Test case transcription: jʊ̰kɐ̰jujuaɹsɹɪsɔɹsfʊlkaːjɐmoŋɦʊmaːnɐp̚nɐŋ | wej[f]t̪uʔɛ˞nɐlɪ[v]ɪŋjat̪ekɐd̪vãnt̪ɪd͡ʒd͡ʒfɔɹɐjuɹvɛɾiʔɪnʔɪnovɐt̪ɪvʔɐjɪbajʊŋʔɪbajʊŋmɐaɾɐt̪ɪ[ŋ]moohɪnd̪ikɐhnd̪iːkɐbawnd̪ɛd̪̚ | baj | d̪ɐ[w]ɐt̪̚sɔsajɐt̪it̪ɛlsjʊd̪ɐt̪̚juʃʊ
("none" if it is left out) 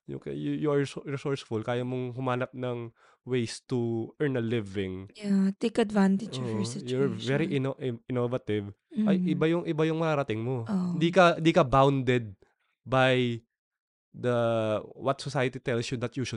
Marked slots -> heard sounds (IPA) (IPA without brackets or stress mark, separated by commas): s, v, ŋ, w